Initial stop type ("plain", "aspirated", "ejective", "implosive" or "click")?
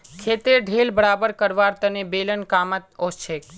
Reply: aspirated